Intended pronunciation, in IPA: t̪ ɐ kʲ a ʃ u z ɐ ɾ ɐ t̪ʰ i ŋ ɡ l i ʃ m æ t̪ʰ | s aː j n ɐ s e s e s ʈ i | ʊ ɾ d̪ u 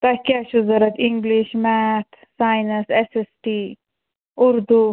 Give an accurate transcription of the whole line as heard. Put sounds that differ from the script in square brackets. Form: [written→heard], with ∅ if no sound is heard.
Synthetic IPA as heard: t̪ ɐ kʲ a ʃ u z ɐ ɾ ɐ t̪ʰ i ŋ ɡ l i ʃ m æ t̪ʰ | s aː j n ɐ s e s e s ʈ i | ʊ ɾ d̪ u